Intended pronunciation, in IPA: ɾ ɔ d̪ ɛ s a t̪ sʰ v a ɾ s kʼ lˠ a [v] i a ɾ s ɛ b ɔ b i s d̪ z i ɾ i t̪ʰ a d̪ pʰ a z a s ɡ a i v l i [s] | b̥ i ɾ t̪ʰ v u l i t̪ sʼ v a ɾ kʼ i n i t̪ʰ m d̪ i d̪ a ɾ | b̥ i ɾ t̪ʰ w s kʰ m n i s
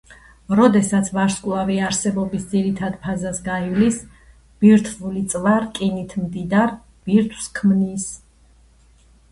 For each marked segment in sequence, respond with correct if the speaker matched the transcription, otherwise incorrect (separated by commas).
correct, correct